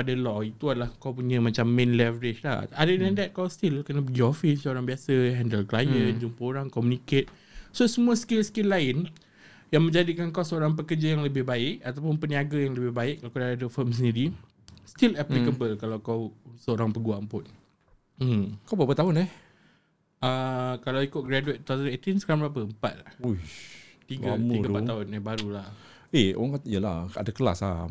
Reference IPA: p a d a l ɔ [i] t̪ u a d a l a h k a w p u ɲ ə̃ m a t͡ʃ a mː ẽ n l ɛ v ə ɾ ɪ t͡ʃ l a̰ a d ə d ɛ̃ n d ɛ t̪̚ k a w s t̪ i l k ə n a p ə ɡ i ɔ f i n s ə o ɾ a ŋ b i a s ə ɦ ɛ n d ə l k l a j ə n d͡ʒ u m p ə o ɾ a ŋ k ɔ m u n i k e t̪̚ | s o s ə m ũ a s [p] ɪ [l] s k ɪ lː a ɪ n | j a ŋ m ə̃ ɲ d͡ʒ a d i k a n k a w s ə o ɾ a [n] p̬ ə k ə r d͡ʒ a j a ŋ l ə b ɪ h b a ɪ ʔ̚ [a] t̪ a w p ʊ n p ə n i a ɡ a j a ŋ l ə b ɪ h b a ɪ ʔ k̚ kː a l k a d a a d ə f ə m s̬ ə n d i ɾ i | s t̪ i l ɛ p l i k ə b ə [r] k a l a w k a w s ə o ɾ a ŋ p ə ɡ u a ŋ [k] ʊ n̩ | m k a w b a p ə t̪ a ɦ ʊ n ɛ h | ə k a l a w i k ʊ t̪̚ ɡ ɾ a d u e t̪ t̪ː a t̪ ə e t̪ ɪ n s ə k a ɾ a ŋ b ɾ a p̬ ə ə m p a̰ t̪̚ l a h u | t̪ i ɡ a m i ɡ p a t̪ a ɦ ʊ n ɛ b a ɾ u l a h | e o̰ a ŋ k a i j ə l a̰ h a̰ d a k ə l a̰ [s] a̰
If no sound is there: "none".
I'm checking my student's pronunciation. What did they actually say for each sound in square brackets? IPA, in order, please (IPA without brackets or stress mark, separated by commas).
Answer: i, k, l, ŋ, a, l, p, s